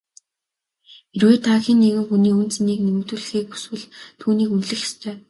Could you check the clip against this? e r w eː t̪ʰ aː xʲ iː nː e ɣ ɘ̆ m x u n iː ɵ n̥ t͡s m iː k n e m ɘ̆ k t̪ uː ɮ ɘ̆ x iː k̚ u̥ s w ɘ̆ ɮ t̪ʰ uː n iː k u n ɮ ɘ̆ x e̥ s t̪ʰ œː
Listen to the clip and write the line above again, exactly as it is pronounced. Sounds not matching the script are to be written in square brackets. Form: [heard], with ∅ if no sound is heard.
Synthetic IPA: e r w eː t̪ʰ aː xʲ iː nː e ɣ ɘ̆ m x u n iː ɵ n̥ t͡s [n] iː k n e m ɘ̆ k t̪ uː ɮ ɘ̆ x iː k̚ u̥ s w ɘ̆ ɮ t̪ʰ uː n iː k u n ɮ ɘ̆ x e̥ s t̪ʰ œː